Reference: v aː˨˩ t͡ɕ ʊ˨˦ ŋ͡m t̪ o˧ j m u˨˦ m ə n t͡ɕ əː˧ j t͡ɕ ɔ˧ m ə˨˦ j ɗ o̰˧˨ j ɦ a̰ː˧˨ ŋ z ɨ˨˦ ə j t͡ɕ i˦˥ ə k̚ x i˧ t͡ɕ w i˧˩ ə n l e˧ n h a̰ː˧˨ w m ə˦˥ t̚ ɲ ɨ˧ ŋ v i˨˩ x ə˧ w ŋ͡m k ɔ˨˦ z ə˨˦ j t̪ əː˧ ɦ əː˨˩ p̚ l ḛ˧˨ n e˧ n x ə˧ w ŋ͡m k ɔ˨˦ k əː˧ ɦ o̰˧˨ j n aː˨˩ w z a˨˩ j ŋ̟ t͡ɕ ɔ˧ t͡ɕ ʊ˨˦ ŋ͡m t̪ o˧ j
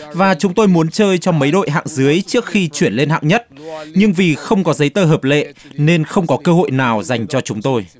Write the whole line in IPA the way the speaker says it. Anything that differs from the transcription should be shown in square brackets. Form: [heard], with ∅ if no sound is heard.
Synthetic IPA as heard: v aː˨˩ t͡ɕ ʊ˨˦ ŋ͡m t̪ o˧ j m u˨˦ [∅] ə n t͡ɕ əː˧ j t͡ɕ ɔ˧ m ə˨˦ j ɗ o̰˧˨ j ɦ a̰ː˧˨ ŋ z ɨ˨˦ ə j t͡ɕ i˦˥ ə k̚ x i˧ t͡ɕ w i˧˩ ə n l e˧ n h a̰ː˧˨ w [ɲ] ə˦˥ t̚ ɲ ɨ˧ ŋ v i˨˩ x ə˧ w ŋ͡m k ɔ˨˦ z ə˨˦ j t̪ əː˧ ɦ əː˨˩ p̚ l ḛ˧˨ n e˧ n x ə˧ w ŋ͡m k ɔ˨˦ k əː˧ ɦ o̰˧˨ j n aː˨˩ w z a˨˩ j ŋ̟ t͡ɕ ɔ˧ t͡ɕ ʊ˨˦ ŋ͡m t̪ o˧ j